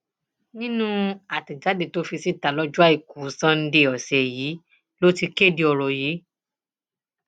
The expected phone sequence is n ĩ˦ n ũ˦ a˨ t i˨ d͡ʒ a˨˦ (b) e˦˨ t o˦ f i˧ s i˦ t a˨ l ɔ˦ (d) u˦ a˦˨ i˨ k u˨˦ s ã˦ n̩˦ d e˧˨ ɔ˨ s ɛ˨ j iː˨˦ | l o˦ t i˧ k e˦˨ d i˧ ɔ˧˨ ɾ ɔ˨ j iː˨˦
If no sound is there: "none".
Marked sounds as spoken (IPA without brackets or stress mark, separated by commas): d, d͡ʒ